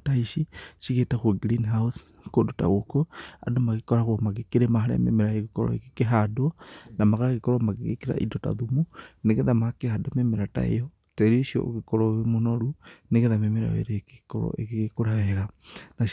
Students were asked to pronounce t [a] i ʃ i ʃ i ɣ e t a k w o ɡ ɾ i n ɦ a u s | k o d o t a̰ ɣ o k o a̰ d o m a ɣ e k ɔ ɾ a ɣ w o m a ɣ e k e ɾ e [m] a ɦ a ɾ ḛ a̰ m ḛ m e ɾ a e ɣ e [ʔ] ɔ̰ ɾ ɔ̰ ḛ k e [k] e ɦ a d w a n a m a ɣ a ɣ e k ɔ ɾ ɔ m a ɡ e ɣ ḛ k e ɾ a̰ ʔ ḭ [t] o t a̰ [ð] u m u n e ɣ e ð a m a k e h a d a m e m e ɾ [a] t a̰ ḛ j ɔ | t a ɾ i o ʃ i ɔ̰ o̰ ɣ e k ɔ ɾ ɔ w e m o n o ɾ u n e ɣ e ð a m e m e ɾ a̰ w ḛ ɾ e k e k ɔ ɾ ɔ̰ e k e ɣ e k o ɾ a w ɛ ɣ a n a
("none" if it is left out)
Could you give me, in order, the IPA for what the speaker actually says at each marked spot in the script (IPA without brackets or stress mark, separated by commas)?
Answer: a, m, k, k, d, ð, a